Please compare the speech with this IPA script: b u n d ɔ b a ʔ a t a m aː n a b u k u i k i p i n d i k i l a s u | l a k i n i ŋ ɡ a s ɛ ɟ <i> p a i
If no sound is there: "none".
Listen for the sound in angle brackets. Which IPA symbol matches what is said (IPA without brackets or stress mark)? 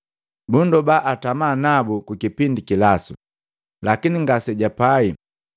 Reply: a